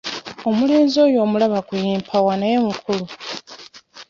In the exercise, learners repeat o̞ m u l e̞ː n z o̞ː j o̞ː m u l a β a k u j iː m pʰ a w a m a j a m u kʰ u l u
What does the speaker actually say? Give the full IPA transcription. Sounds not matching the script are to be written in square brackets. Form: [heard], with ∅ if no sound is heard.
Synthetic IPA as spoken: o̞ m u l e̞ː n z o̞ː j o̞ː m u l a β a k u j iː m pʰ a w a [n] a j [e] m u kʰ u l u